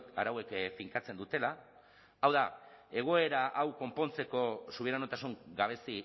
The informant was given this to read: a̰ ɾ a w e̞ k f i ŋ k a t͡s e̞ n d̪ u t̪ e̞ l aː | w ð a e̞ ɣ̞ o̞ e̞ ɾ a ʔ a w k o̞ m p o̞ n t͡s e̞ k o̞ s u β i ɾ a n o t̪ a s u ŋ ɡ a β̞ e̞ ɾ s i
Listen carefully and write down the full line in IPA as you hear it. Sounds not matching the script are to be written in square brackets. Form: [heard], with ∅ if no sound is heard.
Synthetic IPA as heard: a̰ ɾ a w e̞ k f i ŋ k a t͡s e̞ n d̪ u t̪ e̞ l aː | w ð a e̞ ɣ̞ o̞ e̞ ɾ a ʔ a w k o̞ m p o̞ n t͡s e̞ k o̞ s u β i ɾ a n o t̪ a s u ŋ ɡ a β̞ e̞ [∅] s i